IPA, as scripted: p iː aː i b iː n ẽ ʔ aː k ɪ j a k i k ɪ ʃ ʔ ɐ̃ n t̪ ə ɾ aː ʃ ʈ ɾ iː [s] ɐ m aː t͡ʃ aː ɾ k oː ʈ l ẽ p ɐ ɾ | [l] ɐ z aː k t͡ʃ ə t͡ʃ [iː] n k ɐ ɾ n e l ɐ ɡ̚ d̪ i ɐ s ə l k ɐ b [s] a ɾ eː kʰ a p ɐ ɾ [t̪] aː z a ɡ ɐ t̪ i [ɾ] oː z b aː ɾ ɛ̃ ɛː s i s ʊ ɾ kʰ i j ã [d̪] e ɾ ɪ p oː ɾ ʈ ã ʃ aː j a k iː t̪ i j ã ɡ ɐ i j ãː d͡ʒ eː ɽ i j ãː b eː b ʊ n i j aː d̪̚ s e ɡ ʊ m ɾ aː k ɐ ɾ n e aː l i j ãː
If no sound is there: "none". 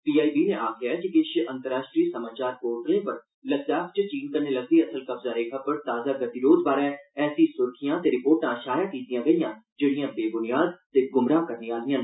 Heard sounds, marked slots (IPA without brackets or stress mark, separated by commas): s, l, iː, z, t̪, ɾ, t̪